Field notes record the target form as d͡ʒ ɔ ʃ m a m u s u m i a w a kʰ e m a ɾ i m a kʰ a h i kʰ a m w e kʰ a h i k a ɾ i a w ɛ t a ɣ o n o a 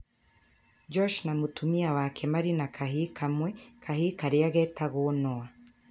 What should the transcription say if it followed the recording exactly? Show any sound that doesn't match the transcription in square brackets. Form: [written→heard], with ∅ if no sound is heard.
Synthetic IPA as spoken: d͡ʒ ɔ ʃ [m→n] a m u [s→t] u m i a w a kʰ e m a ɾ i [m→n] a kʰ a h i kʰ a m w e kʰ a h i k a ɾ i a [w→ɣ] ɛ t a ɣ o n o a